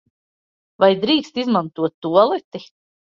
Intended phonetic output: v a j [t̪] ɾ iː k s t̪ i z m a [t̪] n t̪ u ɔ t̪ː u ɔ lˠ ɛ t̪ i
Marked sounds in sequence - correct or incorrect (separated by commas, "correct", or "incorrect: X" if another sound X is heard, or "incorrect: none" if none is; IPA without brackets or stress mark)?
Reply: incorrect: d̪, incorrect: none